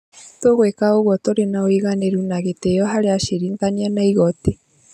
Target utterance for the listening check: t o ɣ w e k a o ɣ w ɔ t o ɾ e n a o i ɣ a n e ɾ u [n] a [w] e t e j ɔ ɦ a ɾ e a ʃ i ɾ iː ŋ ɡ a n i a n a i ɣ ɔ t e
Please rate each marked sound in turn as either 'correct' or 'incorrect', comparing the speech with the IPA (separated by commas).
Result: correct, incorrect